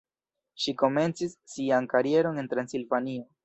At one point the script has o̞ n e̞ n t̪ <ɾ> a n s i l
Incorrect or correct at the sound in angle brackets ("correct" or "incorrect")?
correct